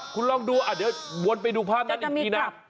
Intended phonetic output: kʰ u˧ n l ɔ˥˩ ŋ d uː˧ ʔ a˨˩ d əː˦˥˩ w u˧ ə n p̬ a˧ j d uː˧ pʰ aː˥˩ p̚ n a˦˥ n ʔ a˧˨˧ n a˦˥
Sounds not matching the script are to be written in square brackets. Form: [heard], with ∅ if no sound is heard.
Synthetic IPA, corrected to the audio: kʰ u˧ n l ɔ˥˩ ŋ d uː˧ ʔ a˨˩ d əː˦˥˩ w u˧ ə n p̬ a˧ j d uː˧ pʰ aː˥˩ p̚ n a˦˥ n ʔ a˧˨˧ n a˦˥